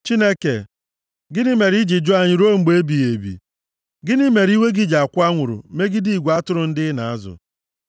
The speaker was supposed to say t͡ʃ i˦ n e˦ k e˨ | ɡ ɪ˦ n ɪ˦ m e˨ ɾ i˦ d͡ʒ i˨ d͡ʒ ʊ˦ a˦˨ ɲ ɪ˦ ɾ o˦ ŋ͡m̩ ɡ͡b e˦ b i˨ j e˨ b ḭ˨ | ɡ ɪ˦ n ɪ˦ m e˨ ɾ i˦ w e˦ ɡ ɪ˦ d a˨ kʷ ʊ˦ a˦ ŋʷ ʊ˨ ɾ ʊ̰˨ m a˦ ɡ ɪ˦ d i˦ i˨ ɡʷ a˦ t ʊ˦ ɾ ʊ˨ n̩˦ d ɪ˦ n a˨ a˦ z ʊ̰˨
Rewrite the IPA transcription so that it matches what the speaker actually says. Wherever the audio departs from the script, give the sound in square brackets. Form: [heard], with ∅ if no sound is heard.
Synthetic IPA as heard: t͡ʃ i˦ n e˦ k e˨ | ɡ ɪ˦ n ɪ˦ m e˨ ɾ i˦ d͡ʒ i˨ d͡ʒ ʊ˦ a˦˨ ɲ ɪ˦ ɾ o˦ ŋ͡m̩ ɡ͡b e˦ b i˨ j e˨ b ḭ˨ | ɡ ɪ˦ n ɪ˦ m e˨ ɾ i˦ w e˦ ɡ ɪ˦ [d͡ʒ] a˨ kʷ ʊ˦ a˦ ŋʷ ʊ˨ ɾ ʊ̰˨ m [e˦] ɡ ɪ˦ d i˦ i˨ ɡʷ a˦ t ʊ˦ ɾ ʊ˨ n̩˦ d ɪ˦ n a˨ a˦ z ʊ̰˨